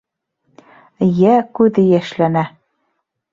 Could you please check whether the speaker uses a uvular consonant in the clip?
no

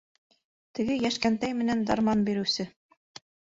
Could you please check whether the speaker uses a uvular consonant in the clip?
no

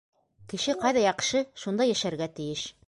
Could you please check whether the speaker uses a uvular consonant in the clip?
yes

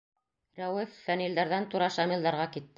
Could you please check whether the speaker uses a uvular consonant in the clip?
yes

